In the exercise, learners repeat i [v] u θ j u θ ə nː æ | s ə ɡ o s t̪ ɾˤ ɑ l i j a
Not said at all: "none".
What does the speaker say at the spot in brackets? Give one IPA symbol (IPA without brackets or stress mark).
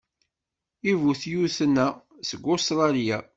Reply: v